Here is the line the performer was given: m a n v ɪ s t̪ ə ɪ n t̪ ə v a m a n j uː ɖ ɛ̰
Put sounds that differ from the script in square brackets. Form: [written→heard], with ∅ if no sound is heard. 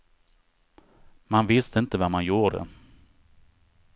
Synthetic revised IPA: m a n v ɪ s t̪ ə ɪ n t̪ ə v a m a n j uː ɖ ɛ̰